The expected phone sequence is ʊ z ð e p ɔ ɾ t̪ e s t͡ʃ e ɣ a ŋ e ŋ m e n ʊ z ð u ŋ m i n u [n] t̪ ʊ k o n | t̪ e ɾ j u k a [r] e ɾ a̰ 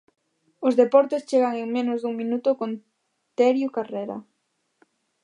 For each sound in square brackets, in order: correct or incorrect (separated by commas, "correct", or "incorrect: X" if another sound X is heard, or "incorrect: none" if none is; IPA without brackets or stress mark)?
incorrect: none, correct